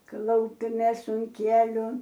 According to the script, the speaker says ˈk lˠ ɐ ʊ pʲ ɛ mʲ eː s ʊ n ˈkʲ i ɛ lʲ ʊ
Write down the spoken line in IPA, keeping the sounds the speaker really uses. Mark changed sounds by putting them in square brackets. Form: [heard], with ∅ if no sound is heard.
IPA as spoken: ˈk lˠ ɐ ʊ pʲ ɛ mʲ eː s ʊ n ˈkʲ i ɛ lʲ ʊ